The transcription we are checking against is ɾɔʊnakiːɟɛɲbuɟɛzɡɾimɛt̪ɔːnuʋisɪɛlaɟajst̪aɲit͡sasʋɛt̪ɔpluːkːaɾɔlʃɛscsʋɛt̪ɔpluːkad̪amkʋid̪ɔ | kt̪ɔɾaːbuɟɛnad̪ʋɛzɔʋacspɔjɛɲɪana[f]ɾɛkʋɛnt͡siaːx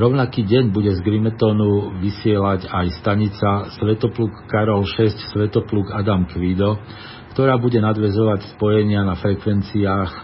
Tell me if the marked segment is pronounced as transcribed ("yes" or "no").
yes